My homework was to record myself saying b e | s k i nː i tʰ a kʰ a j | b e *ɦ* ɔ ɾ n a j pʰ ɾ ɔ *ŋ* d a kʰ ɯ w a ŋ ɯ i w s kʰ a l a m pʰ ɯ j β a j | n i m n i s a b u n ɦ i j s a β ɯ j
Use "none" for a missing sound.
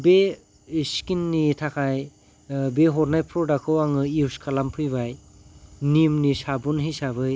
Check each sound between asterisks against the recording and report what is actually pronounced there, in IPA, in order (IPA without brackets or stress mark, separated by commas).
ɦ, none